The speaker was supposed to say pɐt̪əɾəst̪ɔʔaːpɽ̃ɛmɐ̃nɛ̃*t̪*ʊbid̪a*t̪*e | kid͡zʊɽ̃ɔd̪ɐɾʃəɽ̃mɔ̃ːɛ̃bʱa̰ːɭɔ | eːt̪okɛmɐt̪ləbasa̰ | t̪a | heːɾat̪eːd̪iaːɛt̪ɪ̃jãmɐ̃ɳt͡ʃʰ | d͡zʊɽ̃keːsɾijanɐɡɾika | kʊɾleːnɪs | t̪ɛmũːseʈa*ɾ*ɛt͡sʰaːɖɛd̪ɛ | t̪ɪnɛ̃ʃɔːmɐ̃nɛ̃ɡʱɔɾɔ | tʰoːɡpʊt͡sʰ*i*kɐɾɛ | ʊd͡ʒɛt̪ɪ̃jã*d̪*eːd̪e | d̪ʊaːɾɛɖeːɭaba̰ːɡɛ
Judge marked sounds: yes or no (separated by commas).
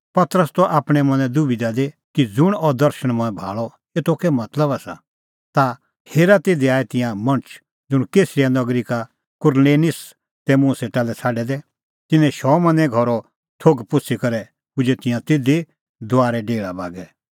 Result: no, no, no, yes, no